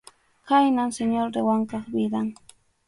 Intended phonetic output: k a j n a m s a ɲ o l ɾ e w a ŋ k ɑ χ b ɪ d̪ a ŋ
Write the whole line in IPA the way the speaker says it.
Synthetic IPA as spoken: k a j n a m s e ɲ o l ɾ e w a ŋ k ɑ χ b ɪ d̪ a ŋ